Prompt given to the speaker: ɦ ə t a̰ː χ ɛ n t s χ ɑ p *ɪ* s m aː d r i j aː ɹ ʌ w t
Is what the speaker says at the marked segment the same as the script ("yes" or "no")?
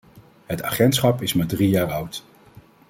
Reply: yes